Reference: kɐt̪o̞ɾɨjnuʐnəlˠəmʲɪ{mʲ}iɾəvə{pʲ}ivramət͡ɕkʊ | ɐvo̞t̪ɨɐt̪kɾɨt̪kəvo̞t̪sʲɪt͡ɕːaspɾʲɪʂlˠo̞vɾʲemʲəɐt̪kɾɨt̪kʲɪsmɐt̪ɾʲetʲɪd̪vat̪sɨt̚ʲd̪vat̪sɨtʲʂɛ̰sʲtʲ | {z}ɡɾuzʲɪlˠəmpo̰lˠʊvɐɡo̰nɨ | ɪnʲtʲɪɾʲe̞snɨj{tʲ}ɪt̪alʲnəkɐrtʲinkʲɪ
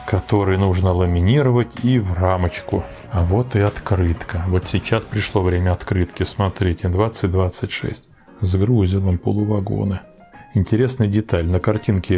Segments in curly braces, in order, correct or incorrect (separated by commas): incorrect, incorrect, correct, incorrect